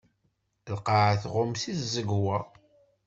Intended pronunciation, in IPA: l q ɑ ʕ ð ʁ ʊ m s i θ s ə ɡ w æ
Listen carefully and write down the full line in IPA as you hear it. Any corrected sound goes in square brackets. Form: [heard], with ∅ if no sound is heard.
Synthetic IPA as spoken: l q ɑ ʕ [θ] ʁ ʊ m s i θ [z] ə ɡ w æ